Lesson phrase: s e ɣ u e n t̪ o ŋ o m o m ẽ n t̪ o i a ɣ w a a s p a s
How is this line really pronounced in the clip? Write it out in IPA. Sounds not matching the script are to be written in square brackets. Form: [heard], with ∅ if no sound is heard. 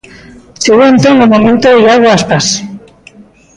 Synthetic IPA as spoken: s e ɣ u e n t̪ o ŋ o m o m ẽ n t̪ o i a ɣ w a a s p a s